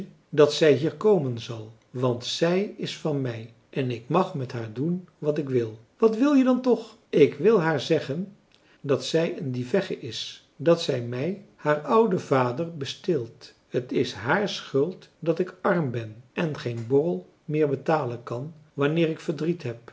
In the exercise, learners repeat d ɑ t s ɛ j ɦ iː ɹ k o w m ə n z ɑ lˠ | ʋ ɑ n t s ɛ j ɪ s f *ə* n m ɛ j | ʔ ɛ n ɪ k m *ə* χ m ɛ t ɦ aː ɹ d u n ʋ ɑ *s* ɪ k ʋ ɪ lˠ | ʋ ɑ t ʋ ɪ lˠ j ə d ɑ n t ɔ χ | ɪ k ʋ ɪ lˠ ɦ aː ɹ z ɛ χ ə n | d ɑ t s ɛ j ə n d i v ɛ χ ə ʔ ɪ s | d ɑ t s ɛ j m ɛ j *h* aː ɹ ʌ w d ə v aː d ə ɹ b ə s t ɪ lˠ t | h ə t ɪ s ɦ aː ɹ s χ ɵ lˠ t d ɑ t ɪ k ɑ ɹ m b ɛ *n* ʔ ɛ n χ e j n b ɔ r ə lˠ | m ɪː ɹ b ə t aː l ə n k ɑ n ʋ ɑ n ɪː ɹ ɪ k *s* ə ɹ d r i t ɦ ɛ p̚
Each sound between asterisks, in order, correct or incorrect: incorrect, incorrect, incorrect, correct, correct, incorrect

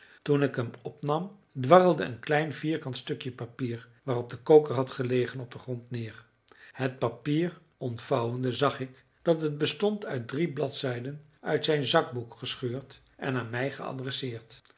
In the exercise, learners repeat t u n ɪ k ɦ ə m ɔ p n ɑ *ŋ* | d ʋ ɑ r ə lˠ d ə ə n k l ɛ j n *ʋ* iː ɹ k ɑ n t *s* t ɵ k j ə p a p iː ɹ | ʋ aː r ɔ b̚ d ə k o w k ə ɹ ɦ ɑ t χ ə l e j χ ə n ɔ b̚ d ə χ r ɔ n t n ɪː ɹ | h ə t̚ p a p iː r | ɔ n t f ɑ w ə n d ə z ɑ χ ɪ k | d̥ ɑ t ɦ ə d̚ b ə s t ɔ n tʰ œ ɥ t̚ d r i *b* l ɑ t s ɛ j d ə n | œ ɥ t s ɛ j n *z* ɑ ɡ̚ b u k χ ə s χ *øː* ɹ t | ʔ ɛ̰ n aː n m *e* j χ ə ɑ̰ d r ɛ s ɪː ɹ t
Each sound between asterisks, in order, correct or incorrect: incorrect, incorrect, correct, correct, correct, correct, incorrect

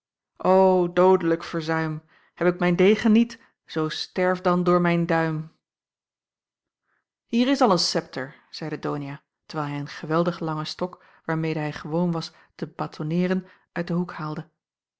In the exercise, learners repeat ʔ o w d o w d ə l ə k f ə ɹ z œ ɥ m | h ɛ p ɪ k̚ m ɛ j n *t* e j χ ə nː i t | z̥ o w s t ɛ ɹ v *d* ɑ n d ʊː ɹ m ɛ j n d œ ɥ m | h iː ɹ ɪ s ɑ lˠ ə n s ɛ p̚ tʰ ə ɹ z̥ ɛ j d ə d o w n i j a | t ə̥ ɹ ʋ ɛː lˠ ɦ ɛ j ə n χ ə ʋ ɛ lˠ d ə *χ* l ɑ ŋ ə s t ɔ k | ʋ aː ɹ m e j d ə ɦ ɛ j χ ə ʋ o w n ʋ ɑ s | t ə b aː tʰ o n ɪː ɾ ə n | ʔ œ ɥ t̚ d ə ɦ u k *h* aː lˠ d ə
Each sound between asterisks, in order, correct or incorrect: incorrect, correct, correct, correct

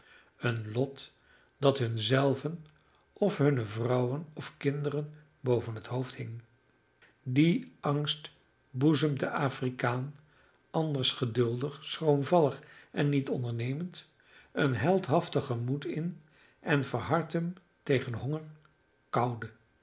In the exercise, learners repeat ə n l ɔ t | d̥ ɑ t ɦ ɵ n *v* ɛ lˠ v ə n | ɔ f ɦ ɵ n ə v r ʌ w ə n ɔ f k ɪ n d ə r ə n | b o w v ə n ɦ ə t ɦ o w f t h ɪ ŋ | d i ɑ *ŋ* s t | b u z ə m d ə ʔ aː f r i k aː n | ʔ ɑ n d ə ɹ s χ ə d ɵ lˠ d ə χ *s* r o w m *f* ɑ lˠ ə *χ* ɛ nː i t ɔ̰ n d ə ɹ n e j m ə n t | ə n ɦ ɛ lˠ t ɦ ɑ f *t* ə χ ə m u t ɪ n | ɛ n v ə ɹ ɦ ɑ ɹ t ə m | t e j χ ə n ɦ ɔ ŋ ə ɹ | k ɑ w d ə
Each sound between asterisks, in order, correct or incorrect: incorrect, correct, correct, incorrect, correct, correct

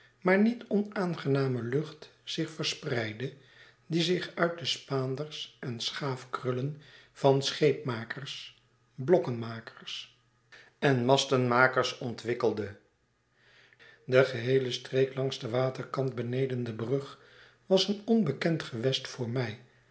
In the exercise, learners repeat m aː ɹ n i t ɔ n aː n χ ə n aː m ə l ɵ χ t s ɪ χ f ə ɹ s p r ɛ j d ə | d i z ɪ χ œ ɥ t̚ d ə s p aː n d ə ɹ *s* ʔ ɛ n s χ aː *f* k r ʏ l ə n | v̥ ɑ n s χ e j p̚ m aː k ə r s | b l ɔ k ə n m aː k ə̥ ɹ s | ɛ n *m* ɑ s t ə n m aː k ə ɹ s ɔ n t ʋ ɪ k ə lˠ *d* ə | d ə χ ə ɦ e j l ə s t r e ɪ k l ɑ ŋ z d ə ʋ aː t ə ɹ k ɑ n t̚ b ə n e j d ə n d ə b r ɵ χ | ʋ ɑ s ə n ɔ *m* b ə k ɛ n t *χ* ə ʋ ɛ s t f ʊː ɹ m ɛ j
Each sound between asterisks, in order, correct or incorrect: correct, correct, correct, correct, incorrect, correct

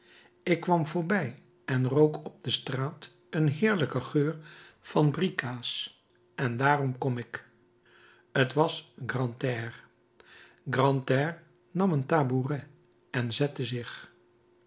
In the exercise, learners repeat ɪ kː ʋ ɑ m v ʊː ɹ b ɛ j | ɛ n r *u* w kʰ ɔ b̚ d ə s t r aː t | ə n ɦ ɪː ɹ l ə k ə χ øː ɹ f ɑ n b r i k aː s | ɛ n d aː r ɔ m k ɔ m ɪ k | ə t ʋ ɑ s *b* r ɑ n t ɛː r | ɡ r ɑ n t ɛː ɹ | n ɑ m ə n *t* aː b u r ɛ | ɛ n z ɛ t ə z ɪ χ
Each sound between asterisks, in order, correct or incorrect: incorrect, incorrect, correct

